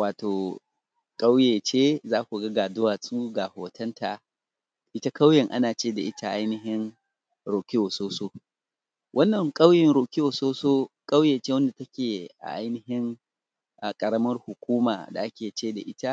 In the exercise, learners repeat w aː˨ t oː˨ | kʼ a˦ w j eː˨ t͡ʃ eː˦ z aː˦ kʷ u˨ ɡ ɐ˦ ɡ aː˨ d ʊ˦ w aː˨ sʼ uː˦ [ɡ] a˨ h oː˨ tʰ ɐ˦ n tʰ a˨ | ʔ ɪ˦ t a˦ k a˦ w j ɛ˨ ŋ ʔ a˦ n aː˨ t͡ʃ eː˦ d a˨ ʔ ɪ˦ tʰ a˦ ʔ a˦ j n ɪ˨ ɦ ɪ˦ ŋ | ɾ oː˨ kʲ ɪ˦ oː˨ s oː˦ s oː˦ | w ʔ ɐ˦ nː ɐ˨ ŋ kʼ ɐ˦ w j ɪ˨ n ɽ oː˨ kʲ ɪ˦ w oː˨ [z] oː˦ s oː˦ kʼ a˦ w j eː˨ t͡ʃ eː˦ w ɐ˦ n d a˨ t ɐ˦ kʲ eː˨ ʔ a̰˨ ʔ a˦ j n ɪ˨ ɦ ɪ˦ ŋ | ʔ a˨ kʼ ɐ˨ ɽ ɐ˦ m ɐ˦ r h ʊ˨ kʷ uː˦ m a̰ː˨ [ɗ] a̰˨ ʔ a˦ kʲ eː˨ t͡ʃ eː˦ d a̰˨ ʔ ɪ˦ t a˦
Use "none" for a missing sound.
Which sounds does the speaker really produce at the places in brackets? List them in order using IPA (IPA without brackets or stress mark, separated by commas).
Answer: ɡ, s, d